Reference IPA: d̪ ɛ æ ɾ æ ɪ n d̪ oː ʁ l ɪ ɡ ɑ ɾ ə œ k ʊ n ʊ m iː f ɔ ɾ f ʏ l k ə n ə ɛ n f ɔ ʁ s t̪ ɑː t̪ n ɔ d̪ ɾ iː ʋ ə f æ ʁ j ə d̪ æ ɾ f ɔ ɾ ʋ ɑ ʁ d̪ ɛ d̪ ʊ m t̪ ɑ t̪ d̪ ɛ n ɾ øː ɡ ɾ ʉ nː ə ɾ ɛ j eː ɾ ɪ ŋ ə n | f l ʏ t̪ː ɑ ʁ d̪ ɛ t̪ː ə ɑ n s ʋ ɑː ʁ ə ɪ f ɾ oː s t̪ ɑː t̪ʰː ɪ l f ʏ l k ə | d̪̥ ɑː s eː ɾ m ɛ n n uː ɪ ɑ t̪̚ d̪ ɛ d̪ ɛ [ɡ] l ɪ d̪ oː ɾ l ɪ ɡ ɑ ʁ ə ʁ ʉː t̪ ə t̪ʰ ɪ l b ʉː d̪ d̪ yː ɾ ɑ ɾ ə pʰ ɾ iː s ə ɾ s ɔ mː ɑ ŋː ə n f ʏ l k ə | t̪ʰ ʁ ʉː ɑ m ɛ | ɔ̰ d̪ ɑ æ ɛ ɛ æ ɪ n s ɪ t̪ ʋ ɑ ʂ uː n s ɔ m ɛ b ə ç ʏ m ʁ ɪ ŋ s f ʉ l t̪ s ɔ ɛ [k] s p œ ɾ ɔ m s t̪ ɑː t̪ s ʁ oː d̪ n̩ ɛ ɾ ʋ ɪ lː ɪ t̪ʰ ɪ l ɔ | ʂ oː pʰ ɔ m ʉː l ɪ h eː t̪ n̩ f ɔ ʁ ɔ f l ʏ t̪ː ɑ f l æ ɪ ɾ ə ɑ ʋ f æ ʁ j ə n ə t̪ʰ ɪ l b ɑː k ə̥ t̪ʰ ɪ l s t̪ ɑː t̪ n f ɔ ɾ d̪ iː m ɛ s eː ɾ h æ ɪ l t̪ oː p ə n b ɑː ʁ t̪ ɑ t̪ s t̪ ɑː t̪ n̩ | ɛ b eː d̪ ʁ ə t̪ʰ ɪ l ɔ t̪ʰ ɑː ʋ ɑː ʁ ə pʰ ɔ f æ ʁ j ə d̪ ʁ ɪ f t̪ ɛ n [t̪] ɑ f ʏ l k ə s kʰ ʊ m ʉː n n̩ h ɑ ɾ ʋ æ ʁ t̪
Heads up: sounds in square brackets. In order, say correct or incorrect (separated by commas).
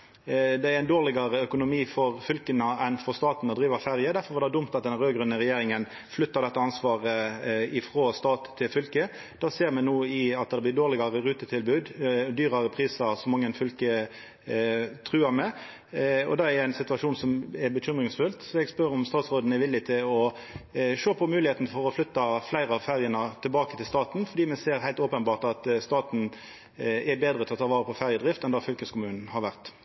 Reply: incorrect, incorrect, incorrect